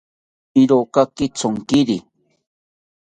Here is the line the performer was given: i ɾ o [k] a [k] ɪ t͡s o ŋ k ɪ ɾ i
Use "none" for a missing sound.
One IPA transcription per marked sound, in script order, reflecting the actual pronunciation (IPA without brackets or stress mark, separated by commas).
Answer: k, k